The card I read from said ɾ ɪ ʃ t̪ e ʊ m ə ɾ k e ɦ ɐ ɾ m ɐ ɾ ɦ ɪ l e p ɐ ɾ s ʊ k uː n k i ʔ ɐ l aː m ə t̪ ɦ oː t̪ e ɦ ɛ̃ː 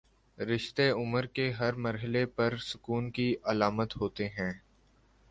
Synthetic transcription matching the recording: ɾ ɪ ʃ t̪ e ʊ m ə ɾ k e ɦ ɐ ɾ m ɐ ɾ ɦ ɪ l e p ɐ ɾ s ʊ k uː n k i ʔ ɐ l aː m ə t̪ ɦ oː t̪ e ɦ ɛ̃ː